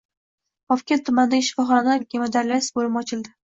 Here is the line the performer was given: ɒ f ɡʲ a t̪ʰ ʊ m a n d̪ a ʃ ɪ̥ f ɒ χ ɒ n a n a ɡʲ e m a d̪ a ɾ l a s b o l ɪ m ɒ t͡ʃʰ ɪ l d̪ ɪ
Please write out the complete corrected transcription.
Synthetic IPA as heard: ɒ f kʲ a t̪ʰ ʊ m a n d̪ a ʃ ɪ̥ f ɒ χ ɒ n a n a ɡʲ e m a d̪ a ɾ l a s b o l ɪ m ɒ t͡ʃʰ ɪ l d̪ ɪ